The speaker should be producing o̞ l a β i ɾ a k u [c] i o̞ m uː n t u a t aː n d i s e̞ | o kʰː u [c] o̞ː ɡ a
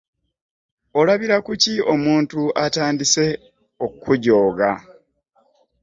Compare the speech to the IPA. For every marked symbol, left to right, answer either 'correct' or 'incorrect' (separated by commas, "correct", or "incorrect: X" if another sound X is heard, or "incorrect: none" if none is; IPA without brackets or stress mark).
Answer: correct, incorrect: ɟ